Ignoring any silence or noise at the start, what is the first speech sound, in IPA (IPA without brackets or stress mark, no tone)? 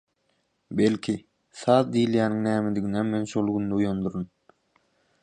b